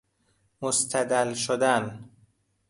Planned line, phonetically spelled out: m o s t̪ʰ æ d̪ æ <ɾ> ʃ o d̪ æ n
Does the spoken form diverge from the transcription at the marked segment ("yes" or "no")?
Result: yes